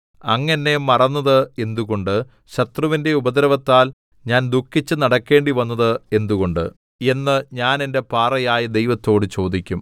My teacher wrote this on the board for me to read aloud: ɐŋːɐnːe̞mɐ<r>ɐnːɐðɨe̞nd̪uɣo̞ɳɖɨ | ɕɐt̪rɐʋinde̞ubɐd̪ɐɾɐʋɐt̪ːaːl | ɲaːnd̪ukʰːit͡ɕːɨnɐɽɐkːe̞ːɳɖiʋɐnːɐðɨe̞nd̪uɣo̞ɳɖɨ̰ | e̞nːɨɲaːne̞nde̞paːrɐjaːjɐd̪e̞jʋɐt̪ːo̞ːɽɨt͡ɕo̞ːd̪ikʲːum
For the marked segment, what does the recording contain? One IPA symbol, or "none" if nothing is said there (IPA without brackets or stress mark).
r